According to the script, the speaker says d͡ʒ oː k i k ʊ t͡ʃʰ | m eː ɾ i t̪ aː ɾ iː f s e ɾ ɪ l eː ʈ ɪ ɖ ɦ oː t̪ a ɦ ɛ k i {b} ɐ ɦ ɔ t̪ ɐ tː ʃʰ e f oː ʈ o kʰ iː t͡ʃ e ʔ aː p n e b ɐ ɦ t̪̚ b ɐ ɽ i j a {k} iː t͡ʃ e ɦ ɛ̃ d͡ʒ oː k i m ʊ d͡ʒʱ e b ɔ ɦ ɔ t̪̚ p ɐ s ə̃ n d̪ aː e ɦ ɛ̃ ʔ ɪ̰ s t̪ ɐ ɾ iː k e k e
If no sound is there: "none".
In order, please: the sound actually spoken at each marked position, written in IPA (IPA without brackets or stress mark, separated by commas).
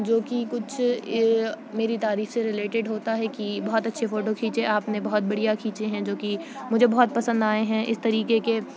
b, kʰ